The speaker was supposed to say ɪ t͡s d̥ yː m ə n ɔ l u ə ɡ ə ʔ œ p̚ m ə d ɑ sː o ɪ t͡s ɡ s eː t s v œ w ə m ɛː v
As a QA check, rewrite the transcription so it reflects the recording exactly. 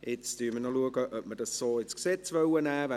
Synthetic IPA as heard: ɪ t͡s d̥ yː m ə n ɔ l u ə ɡ ə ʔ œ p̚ m ə d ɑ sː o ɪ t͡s k s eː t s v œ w ə n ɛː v